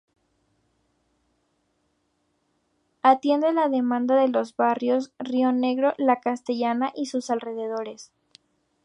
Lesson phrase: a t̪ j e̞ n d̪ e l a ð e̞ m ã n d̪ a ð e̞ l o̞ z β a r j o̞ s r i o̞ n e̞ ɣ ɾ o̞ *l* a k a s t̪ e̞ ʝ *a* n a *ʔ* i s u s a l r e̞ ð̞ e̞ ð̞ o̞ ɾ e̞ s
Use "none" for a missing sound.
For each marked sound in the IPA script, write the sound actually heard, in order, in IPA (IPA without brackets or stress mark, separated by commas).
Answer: l, a, ʔ